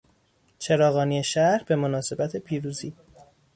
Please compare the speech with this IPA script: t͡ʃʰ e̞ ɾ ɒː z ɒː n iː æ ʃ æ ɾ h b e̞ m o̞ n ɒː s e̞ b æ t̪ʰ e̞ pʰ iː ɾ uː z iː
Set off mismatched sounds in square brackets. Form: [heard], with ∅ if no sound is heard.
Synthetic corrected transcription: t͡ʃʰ e̞ ɾ ɒː [ɣ] ɒː n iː [e] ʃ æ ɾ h b e̞ m o̞ n ɒː s e̞ b æ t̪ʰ e̞ pʰ iː ɾ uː z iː

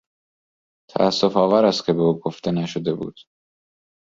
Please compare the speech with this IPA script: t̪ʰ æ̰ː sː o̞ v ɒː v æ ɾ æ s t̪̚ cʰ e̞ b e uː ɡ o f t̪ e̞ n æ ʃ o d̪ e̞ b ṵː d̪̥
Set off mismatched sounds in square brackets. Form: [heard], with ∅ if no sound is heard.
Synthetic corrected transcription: t̪ʰ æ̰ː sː o̞ [f] ɒː v æ ɾ æ s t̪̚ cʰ e̞ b e uː ɡ o f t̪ e̞ n æ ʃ o d̪ e̞ b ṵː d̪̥

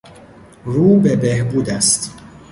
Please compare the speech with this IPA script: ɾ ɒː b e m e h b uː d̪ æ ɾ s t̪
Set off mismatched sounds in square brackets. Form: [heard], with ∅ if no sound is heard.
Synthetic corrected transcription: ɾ [uː] b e [b] e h b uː d̪ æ [∅] s t̪

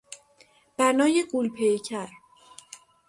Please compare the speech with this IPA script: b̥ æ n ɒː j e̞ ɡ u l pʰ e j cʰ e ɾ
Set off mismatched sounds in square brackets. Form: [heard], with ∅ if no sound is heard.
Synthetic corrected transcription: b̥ æ n ɒː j e̞ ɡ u l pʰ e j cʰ [æ] ɾ

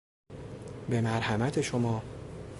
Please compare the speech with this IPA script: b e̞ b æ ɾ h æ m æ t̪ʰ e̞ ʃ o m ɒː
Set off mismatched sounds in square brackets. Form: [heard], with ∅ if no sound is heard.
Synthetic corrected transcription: b e̞ [m] æ ɾ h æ m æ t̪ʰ e̞ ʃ o m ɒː

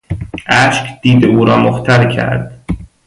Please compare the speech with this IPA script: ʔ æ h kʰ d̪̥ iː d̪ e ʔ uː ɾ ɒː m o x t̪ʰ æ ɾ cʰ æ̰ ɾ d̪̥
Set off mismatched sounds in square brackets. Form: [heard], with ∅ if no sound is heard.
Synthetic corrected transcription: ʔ æ [ʃ] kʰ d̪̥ iː d̪ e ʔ uː ɾ ɒː m o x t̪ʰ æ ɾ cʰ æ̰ ɾ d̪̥

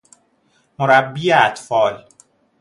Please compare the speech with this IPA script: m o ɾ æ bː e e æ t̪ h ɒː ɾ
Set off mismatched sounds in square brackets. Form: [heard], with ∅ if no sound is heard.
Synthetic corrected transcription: m o ɾ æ bː [i] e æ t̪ [f] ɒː [l]

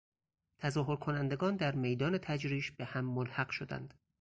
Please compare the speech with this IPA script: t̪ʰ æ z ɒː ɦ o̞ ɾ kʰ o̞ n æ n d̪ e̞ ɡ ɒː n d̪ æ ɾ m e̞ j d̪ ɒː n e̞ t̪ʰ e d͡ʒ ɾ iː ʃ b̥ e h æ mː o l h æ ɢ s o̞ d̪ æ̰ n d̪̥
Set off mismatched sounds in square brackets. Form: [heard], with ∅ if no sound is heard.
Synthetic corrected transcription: t̪ʰ æ z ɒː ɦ o̞ ɾ kʰ o̞ n æ n d̪ e̞ ɡ ɒː n d̪ æ ɾ m e̞ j d̪ ɒː n e̞ t̪ʰ [æ] d͡ʒ ɾ iː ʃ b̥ e h æ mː o l h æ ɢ [ʃ] o̞ d̪ æ̰ n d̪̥

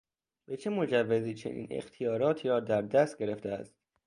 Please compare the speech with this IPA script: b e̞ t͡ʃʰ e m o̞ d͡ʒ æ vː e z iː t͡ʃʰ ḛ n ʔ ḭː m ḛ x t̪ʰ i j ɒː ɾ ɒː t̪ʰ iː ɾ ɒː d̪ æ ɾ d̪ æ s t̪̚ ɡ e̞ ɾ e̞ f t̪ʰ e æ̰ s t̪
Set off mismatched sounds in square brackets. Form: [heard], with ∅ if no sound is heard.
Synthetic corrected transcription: b e̞ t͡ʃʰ e m o̞ d͡ʒ æ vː e z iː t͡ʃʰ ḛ n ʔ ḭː [n] ḛ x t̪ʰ i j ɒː ɾ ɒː t̪ʰ iː ɾ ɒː d̪ æ ɾ d̪ æ s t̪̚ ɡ e̞ ɾ e̞ f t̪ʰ e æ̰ s t̪

